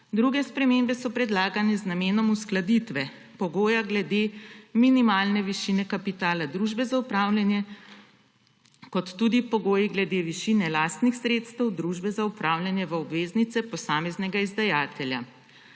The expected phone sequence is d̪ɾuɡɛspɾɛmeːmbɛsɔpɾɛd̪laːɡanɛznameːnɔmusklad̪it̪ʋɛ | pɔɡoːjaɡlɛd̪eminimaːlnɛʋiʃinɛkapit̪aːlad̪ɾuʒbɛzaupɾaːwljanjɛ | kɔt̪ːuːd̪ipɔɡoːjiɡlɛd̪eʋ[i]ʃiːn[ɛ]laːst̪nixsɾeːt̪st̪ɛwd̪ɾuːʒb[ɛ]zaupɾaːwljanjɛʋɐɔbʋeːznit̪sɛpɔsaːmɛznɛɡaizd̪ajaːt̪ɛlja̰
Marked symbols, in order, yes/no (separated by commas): yes, yes, yes